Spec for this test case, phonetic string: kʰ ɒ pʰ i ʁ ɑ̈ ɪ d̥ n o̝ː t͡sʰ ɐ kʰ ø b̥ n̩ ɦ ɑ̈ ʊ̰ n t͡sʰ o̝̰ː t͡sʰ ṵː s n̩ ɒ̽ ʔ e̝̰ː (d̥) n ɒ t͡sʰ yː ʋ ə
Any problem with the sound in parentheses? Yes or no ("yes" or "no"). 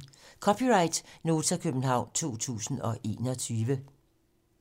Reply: yes